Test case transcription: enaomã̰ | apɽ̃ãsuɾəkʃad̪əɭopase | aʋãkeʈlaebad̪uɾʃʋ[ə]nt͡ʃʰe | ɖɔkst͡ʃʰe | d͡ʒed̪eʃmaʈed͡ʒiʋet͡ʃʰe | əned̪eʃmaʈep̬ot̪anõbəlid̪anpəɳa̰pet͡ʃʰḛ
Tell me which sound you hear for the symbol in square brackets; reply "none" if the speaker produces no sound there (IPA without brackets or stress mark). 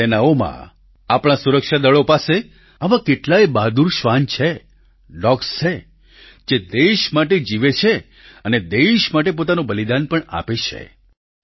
a